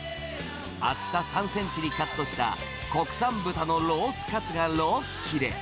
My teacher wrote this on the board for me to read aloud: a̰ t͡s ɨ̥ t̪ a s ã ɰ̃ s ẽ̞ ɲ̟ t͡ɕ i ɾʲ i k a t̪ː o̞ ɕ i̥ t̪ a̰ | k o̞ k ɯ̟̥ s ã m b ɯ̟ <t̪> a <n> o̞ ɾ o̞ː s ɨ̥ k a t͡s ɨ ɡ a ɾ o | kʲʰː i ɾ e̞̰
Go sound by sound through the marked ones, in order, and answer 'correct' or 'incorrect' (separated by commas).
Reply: correct, correct